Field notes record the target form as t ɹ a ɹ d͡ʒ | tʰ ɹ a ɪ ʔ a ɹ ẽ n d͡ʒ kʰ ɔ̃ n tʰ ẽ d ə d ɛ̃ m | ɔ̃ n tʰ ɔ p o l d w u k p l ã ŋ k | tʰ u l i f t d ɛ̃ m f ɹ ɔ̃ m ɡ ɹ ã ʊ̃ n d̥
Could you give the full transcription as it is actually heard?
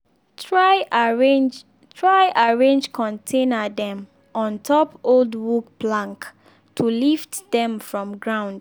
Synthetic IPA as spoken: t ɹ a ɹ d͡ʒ | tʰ ɹ a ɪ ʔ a ɹ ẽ n d͡ʒ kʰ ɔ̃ n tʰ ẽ n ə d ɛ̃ m | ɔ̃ n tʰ ɔ p o l d w u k p l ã ŋ k | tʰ u l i f t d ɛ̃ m f ɹ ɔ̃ m ɡ ɹ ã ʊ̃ n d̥